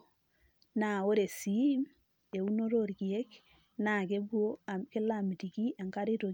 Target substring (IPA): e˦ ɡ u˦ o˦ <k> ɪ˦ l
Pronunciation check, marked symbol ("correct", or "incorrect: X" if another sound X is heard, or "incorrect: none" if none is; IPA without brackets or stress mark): correct